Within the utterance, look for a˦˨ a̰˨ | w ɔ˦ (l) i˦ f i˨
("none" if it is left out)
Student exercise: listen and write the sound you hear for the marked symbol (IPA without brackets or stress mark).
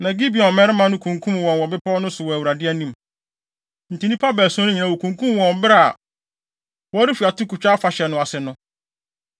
ɾ